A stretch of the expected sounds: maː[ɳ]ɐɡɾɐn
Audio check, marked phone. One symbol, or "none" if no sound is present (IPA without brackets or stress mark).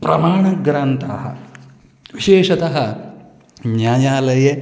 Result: ɳ